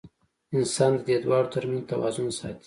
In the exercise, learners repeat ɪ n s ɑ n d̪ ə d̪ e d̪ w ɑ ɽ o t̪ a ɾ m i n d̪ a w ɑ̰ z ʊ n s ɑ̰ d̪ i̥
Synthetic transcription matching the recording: ɪ n s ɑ n d̪ ə d̪ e d̪ w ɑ ɽ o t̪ a ɾ m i n t̪ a w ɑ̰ z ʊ n s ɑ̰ t̪ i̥